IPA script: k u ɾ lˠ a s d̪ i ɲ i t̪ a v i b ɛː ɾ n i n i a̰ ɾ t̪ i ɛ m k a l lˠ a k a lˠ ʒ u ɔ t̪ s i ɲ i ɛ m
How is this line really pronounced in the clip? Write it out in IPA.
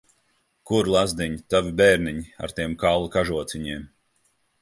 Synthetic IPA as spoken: k u ɾ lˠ a z d̪ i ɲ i t̪ a v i b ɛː ɾ n i ɲ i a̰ ɾ t̪ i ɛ m k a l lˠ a k a ʒ u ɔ t̪ s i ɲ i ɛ m